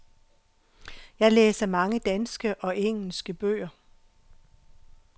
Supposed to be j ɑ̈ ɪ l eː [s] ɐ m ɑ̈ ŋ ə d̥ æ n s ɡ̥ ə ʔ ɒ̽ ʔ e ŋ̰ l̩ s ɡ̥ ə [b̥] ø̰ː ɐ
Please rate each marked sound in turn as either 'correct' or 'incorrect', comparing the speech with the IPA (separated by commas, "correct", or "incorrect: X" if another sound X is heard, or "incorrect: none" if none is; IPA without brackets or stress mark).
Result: correct, correct